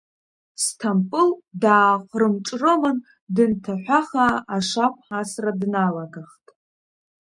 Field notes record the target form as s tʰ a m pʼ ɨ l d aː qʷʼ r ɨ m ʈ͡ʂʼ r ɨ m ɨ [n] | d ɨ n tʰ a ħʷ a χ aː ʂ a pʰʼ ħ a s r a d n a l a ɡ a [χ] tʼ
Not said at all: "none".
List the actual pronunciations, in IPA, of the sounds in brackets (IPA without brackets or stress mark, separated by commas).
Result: n, χ